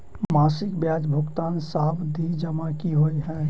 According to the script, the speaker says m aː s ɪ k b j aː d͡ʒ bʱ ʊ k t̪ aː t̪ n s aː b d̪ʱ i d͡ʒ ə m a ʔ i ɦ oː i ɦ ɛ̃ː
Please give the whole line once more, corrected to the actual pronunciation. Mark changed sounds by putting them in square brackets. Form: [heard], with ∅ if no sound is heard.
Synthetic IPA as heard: m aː s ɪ k b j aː d͡ʒ bʱ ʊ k t̪ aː [∅] n s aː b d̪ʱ i d͡ʒ ə m a [k] i ɦ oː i ɦ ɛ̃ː